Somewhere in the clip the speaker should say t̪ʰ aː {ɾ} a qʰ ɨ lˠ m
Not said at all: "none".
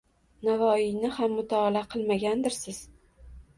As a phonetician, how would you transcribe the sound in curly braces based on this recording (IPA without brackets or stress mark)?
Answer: l